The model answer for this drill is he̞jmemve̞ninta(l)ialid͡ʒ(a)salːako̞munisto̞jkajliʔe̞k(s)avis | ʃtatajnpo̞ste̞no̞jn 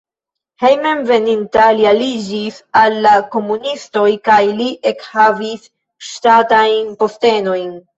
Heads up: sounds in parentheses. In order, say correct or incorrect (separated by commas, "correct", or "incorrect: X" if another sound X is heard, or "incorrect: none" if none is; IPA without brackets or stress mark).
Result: correct, incorrect: i, incorrect: h